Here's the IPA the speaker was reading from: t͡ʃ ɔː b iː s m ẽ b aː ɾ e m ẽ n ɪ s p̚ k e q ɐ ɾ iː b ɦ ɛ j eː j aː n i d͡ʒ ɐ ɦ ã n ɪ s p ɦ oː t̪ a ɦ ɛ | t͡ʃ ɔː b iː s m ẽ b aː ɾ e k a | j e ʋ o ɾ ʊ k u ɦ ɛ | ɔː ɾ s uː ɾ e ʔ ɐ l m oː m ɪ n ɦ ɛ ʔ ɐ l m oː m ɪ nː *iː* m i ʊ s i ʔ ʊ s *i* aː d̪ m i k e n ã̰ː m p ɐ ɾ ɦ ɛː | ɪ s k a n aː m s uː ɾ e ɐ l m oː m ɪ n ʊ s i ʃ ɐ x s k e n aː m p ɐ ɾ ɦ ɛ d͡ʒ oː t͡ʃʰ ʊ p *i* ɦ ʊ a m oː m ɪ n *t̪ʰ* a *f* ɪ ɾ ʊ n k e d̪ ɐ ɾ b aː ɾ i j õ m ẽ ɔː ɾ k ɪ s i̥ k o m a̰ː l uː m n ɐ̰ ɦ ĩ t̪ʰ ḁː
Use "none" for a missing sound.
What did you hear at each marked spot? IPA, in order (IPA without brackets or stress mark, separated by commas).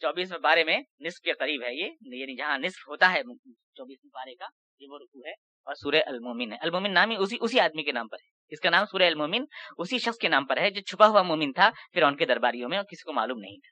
aː, i, a, t̪ʰ, f